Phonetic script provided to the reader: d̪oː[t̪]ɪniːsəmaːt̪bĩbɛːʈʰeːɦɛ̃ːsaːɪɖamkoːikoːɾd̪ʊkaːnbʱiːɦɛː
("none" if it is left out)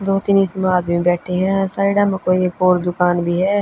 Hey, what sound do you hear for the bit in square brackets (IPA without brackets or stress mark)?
t̪